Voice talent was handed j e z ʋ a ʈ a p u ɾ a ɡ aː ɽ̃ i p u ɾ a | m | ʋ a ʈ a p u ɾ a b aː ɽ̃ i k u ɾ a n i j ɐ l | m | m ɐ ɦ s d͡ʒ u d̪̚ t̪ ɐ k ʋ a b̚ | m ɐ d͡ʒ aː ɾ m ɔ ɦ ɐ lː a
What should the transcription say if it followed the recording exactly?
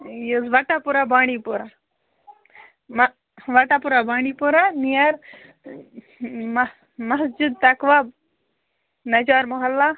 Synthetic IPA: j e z ʋ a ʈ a p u ɾ a b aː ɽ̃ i p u ɾ a | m | ʋ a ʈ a p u ɾ a b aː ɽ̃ i p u ɾ a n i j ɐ ɾ | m | m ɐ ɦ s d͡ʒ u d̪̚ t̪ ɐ k ʋ a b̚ | n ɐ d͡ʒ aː ɾ m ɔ ɦ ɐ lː a

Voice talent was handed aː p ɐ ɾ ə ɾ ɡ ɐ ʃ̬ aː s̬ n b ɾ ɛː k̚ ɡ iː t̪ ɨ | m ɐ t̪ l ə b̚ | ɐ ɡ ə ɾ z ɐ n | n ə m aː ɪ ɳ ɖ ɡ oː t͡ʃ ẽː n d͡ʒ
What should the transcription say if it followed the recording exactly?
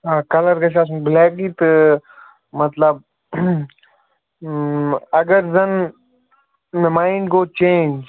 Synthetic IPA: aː k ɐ l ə ɾ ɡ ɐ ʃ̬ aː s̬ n b l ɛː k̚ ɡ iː t̪ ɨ | m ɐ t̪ l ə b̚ | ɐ ɡ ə ɾ z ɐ n | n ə m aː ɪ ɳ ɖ ɡ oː t͡ʃ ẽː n d͡ʒ

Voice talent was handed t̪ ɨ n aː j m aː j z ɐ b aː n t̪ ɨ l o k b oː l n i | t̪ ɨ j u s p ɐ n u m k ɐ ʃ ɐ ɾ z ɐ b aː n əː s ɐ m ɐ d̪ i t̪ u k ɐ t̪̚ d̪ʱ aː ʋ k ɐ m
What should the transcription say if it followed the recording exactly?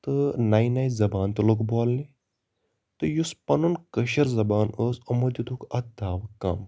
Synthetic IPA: t̪ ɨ n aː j n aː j z ɐ b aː n t̪ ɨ l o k b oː l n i | t̪ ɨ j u s p ɐ n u n k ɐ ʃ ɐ ɾ z ɐ b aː n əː s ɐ m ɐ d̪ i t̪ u k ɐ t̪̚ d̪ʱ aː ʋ k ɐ m

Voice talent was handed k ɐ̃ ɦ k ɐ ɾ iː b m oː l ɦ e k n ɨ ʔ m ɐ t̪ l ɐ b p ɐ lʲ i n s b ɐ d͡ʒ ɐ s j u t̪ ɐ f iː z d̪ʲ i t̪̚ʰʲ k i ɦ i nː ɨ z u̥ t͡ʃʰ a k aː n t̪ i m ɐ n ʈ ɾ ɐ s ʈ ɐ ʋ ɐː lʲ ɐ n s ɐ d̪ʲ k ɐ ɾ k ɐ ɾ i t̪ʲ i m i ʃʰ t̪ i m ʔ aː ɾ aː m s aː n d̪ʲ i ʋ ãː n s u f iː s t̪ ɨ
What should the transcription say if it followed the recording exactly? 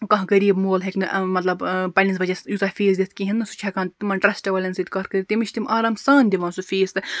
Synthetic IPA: k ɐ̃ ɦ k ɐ ɾ iː b m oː l ɦ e k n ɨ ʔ m ɐ t̪ l ɐ b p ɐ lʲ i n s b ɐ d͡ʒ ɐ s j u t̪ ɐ f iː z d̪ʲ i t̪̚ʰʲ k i ɦ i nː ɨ s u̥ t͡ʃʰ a k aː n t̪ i m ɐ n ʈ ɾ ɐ s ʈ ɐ ʋ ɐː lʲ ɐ n s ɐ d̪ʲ k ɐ ɾ k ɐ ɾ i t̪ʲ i m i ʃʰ t̪ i m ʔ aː ɾ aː m s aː n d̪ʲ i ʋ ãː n s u f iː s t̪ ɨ

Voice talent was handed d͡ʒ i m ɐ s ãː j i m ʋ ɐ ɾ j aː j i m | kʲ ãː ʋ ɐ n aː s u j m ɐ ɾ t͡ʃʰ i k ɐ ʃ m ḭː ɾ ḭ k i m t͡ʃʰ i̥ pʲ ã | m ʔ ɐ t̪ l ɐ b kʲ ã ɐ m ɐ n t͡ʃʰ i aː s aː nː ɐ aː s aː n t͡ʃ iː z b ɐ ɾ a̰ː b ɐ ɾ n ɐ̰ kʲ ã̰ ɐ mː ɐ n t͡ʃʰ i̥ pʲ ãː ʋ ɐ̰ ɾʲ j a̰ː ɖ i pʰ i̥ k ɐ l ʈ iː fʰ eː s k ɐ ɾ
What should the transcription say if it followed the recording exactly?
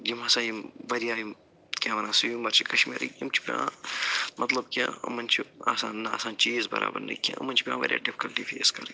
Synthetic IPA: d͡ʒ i m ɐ s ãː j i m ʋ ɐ ɾ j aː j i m | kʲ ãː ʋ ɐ n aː s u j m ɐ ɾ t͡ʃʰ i k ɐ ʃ m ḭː ɾ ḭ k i m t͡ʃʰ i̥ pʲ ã | m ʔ ɐ t̪ l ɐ b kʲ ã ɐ m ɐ n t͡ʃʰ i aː s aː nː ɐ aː s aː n t͡ʃ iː z b ɐ ɾ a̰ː b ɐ ɾ n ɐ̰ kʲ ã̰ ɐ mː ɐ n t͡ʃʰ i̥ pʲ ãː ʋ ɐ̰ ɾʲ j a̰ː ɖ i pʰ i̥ k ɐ l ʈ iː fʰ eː s k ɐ ɾ

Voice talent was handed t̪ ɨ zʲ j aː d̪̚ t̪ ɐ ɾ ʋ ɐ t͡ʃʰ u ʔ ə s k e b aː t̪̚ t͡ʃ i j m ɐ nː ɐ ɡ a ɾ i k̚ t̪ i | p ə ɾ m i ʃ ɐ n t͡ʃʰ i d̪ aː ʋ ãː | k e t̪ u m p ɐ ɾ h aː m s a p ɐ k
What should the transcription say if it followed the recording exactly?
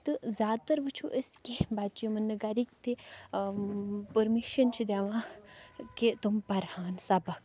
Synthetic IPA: t̪ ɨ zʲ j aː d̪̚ t̪ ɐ ɾ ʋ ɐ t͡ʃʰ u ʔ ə s k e b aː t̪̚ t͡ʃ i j m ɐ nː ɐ ɡ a ɾ i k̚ t̪ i | p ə ɾ m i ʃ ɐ n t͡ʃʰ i d̪ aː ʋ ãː | k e t̪ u m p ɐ ɾ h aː n s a b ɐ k

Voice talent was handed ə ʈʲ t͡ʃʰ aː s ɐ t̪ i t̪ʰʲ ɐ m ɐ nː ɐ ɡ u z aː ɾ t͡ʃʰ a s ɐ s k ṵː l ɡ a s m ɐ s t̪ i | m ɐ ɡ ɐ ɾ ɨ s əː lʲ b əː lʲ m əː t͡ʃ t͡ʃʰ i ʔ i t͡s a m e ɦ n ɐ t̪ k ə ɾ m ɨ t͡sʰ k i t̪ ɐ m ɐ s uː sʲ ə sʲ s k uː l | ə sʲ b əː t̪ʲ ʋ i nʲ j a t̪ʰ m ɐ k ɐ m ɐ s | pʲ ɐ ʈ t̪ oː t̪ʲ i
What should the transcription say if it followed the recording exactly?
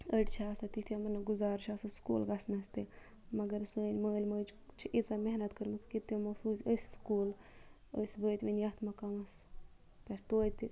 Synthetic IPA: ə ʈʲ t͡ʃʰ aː s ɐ t̪ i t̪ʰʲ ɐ m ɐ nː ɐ ɡ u z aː ɾ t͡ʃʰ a s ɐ s k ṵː l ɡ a s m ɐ s t̪ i | m ɐ ɡ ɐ ɾ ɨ s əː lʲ m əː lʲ m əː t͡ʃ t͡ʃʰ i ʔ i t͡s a m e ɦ n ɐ t̪ k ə ɾ m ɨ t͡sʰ k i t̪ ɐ m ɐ s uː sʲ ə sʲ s k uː l | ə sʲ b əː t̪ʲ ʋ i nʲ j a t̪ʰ m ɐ k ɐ m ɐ s | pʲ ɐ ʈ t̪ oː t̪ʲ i

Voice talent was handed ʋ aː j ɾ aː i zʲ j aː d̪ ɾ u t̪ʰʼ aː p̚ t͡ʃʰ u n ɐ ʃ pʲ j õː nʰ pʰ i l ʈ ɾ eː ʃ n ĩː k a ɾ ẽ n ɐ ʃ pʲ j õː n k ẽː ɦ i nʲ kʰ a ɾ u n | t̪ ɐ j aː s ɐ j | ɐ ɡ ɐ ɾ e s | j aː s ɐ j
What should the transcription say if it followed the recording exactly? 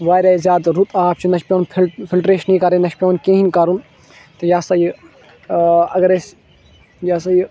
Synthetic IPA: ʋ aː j ɾ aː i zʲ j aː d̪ ɾ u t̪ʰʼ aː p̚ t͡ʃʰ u n ɐ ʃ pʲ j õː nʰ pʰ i l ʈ ɾ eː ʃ n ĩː k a ɾ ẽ n ɐ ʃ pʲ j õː n k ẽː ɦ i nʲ k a ɾ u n | t̪ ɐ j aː s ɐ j | ɐ ɡ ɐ ɾ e s | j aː s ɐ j

